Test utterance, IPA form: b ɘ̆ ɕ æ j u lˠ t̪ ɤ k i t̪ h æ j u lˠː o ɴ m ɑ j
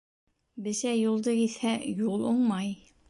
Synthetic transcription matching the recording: b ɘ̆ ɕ æ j u lˠ d̪ ɤ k i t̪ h æ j u lˠ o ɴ m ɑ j